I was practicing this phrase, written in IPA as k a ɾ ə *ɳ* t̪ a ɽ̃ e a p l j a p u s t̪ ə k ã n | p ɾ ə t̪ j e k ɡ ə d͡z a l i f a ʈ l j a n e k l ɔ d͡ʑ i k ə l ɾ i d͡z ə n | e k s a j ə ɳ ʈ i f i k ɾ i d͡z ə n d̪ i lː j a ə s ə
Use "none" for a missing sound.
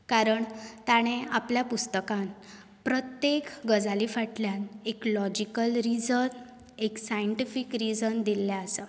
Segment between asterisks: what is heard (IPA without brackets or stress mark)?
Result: ɳ